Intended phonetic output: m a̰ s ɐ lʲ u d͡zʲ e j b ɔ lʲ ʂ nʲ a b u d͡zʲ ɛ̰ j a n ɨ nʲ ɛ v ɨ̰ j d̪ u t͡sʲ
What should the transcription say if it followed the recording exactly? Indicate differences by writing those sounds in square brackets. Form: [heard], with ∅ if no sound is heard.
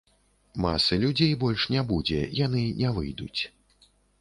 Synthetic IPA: m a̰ s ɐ lʲ u d͡zʲ e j b ɔ lʲ ʂ nʲ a b u d͡zʲ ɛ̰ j a n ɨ nʲ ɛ v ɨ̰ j d̪ u t͡sʲ